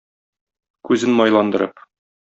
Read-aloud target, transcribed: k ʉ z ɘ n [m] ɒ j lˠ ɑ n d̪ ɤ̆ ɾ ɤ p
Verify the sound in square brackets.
correct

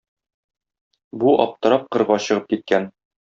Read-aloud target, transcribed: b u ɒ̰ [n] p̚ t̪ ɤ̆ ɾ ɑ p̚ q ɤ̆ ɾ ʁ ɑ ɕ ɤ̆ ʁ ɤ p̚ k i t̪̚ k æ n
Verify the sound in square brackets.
incorrect: none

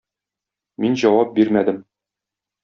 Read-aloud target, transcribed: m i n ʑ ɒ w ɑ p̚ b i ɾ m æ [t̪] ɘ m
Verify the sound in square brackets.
incorrect: d̪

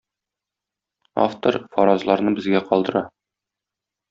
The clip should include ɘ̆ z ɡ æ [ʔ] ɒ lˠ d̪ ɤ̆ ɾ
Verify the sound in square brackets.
incorrect: q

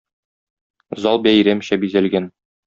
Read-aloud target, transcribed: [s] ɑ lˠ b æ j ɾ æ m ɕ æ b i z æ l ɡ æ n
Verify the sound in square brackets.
incorrect: z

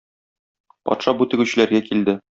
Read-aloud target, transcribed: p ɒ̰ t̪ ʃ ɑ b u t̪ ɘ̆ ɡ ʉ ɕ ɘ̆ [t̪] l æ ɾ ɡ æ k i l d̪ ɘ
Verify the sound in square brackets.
incorrect: none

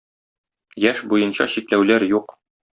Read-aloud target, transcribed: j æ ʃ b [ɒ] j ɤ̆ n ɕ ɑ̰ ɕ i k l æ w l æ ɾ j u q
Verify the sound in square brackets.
incorrect: u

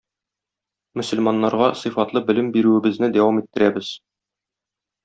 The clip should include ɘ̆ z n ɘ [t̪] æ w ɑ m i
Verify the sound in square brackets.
incorrect: d̪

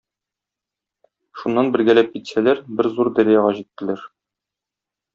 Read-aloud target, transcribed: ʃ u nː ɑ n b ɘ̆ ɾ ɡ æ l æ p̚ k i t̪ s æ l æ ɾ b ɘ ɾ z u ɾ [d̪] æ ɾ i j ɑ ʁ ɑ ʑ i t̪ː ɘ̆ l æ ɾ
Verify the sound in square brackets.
correct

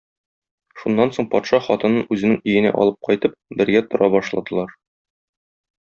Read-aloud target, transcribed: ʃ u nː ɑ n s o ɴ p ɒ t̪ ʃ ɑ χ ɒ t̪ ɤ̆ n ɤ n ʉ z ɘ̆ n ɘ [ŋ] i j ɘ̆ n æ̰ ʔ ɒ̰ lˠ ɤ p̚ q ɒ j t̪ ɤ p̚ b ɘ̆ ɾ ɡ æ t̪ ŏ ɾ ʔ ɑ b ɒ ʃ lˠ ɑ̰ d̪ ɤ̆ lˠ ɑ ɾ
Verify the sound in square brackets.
correct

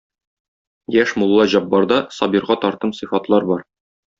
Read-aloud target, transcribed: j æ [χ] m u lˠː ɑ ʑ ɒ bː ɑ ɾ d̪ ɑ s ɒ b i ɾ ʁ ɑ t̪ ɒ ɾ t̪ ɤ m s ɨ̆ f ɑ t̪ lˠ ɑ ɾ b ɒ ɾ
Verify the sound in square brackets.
incorrect: ʃ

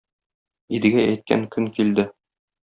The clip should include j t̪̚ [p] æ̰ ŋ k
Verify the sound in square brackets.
incorrect: k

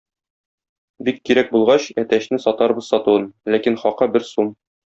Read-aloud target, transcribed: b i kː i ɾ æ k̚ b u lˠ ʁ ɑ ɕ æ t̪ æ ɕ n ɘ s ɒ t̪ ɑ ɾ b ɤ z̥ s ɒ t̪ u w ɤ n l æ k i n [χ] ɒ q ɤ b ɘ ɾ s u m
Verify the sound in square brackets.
correct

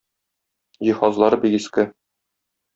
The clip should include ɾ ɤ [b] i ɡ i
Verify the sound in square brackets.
correct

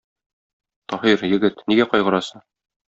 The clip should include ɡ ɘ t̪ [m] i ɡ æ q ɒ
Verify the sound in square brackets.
incorrect: n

